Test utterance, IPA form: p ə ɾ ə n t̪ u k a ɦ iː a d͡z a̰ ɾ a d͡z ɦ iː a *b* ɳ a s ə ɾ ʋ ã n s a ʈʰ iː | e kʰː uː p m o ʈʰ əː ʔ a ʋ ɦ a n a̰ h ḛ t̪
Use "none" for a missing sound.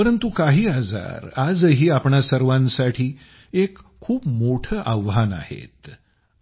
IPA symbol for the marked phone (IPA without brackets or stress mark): p